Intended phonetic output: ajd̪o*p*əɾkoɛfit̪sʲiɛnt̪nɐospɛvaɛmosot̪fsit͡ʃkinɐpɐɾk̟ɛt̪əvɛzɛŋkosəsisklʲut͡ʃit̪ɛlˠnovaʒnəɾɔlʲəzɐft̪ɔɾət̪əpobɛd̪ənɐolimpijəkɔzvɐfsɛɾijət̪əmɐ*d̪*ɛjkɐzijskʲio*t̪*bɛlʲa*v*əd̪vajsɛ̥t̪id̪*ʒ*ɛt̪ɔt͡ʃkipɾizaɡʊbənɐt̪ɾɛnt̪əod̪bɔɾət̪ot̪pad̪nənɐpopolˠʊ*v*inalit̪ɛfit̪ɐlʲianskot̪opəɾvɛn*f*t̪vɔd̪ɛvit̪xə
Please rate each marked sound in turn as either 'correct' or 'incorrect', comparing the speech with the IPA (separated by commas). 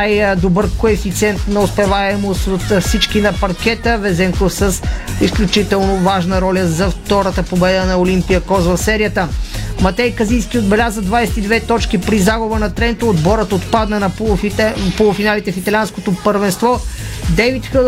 incorrect, incorrect, incorrect, incorrect, incorrect, incorrect, incorrect